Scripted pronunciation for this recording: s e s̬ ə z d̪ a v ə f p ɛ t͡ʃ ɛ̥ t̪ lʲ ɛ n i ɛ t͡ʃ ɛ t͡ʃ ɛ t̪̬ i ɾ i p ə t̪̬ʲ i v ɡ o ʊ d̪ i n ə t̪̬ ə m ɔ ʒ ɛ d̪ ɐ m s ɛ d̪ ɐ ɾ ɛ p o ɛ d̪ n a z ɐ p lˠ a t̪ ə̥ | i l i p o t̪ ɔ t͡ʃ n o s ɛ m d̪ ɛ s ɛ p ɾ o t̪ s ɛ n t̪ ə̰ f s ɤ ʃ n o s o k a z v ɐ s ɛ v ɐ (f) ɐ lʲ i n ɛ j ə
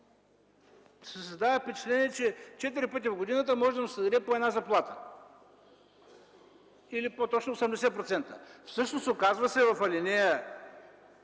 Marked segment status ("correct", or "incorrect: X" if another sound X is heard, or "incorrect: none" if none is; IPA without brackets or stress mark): correct